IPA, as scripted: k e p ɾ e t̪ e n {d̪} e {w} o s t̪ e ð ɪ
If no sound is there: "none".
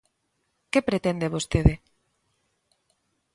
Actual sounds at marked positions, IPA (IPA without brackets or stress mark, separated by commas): d̪, β